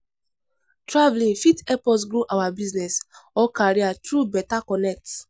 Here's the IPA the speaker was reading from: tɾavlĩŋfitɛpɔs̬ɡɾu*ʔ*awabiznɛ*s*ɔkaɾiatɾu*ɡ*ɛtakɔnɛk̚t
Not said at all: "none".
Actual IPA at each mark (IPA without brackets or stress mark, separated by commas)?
ʔ, s, b